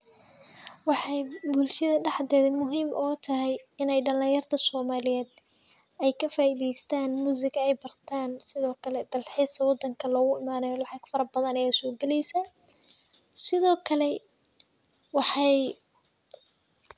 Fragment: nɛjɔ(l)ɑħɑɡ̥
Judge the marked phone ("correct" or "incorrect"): correct